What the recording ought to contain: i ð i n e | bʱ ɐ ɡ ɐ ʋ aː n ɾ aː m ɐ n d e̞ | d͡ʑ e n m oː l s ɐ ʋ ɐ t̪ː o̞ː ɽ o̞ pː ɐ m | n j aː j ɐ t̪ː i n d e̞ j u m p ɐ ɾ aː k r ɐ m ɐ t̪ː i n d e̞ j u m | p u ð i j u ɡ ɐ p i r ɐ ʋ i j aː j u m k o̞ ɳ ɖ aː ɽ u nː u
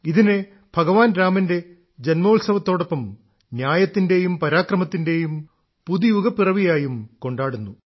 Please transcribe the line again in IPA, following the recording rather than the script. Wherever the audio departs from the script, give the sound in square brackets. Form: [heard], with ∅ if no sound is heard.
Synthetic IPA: i ð i n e | bʱ ɐ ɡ ɐ ʋ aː n ɾ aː m ɐ n d e̞ | d͡ʑ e n m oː l s ɐ ʋ ɐ t̪ː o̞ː ɽ o̞ pː ɐ m | n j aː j ɐ t̪ː i n d e̞ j u m p ɐ ɾ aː k r ɐ m ɐ t̪ː i n d e̞ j u m | p u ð i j u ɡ ɐ p i r ɐ ʋ i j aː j u m k o̞ ɳ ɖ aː ɽ u nː u